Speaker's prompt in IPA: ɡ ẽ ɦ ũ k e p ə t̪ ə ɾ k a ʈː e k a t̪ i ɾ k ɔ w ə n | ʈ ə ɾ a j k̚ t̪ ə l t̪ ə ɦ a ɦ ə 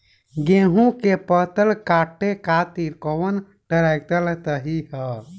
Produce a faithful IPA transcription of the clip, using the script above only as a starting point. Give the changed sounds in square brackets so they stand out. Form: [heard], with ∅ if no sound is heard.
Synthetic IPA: ɡ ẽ ɦ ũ k e p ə t̪ ə [l] k a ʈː e k a t̪ i ɾ k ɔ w ə n | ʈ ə ɾ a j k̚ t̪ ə l t̪ ə ɦ [i] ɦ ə